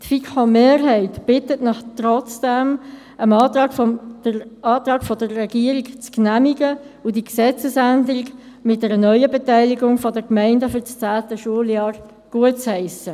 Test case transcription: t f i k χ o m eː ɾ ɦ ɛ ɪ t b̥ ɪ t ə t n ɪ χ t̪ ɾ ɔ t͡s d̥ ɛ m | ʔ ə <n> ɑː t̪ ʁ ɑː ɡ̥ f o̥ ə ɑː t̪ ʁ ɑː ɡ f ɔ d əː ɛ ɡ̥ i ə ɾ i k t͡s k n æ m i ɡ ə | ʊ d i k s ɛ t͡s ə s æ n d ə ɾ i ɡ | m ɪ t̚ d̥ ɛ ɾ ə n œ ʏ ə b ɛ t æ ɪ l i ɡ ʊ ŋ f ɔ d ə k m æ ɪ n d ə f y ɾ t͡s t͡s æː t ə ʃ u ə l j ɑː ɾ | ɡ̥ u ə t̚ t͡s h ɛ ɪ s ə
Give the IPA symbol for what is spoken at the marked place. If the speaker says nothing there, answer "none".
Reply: m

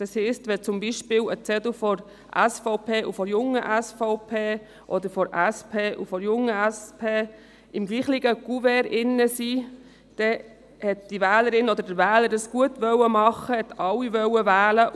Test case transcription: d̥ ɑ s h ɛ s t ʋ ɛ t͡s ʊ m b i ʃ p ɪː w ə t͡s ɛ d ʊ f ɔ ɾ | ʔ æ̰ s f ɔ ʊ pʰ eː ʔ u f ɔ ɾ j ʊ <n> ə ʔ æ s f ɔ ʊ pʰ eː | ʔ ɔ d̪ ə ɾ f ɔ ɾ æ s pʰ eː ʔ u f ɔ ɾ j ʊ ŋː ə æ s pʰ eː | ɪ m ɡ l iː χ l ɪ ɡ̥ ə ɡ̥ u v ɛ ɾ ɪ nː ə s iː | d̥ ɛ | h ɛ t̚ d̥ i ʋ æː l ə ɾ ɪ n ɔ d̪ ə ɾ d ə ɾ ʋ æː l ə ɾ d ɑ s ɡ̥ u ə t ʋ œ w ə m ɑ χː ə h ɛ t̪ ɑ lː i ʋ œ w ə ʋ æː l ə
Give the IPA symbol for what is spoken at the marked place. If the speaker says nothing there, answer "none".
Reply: ŋ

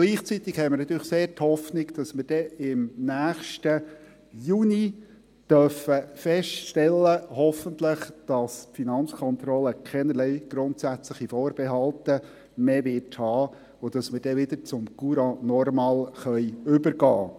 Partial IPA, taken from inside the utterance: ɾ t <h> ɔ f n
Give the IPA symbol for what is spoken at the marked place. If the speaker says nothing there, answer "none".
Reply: h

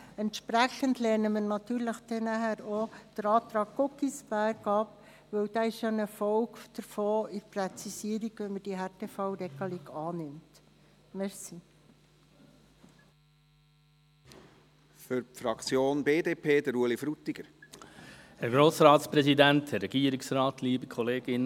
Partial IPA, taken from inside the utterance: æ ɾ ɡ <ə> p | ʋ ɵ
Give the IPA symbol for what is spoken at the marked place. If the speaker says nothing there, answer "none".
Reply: ɑ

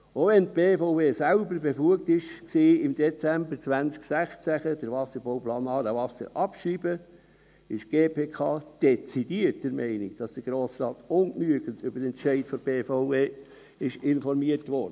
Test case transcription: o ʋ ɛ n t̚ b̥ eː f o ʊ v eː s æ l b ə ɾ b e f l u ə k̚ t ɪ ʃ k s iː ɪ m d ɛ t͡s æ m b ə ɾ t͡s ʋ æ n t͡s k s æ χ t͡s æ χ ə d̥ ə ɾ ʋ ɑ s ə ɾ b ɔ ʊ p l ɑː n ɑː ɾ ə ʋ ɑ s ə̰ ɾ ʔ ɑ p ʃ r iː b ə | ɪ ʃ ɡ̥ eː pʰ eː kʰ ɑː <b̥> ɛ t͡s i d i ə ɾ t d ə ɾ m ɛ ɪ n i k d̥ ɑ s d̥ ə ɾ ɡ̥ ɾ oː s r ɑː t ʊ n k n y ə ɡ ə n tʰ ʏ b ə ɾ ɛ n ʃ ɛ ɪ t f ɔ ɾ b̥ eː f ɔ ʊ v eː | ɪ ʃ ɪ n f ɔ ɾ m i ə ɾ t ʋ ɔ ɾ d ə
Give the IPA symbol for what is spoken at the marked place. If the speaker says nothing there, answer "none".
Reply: d̥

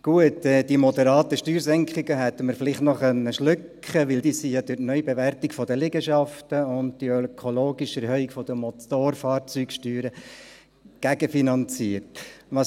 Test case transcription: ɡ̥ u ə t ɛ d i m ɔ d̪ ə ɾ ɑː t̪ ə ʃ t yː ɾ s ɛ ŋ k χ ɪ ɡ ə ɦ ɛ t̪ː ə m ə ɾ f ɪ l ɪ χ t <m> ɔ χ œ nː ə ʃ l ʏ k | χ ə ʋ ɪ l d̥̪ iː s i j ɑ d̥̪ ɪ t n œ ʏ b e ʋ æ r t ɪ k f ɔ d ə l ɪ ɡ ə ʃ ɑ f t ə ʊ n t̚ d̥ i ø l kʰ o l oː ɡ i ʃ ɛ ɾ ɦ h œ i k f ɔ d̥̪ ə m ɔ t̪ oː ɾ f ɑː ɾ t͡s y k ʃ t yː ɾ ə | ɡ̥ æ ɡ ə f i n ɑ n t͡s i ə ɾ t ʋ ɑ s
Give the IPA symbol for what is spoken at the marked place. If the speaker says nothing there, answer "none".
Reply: n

